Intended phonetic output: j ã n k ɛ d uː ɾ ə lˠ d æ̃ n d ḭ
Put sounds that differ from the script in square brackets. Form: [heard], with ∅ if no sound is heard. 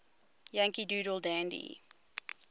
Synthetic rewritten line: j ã [ŋ] k [i] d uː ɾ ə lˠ d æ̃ n d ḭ